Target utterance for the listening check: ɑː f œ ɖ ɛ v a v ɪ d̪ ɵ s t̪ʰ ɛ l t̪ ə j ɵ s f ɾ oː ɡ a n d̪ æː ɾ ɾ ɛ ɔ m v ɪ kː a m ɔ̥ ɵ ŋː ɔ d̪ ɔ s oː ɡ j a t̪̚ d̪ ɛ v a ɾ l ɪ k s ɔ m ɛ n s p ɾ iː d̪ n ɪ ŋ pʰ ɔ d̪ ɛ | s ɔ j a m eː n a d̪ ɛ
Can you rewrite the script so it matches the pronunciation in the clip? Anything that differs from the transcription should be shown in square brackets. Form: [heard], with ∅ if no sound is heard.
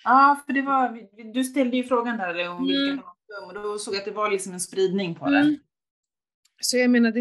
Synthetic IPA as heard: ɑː f œ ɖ ɛ v a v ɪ d̪ ɵ s [t̪] ɛ l [d̪] ə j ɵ [∅] f ɾ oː ɡ a n d̪ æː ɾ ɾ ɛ ɔ m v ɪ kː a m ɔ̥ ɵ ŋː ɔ d̪ ɔ s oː ɡ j a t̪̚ d̪ ɛ v a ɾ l ɪ k s ɔ m ɛ n s p ɾ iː d̪ n ɪ ŋ pʰ ɔ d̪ ɛ | s ɔ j a m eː n a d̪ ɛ